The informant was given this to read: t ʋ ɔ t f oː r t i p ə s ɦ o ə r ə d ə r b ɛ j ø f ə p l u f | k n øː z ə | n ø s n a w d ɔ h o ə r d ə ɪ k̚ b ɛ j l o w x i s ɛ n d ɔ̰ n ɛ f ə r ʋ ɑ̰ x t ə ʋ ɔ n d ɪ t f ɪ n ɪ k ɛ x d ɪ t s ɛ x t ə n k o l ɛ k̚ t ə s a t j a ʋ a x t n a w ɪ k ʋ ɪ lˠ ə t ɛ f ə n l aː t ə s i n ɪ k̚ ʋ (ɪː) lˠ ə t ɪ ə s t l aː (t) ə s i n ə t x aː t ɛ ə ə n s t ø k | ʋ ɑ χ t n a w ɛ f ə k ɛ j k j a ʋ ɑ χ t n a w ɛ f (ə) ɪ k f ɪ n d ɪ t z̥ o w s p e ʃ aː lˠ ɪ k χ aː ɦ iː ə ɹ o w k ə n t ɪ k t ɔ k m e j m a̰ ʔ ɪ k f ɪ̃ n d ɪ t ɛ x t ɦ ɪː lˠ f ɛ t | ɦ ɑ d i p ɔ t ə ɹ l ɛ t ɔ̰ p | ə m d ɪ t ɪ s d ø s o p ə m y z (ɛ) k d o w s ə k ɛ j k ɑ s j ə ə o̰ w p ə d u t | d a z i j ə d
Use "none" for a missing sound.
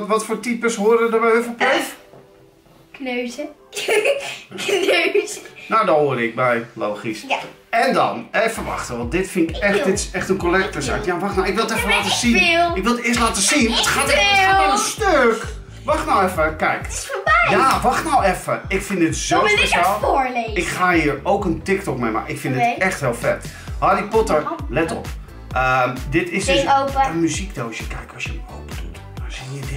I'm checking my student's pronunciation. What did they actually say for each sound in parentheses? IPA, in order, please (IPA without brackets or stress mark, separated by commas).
ɪ, t, ə, i